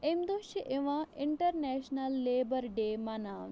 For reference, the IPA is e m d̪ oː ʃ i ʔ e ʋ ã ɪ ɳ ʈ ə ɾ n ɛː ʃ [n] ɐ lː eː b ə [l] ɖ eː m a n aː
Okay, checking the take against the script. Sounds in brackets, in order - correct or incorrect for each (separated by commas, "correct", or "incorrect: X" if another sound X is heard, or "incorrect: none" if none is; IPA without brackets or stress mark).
correct, incorrect: ɾ